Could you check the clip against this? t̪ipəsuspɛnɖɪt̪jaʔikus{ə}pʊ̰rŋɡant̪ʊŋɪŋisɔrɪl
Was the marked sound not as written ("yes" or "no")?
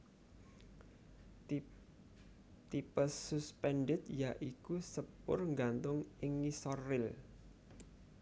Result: no